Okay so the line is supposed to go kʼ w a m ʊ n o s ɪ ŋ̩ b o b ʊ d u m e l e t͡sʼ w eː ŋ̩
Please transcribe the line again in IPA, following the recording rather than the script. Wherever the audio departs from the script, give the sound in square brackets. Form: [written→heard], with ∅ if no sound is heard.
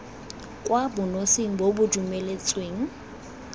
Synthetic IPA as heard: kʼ w a [m→b] ʊ n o s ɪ ŋ̩ b o b ʊ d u m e l e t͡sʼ w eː ŋ̩